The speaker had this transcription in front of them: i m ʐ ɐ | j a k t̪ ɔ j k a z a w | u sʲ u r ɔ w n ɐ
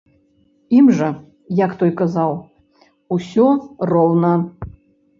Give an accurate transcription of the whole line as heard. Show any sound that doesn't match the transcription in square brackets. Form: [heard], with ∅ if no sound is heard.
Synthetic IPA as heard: i m ʐ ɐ | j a k t̪ ɔ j k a z a w | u sʲ [ɔ] r ɔ w n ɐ